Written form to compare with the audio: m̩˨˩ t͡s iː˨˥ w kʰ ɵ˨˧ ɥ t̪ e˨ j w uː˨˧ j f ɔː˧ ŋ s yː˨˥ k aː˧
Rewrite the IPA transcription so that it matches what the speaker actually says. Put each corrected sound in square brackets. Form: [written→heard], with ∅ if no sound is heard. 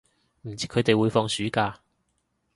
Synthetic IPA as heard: m̩˨˩ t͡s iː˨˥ [w→∅] kʰ ɵ˨˧ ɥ t̪ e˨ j w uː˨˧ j f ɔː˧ ŋ s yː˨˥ k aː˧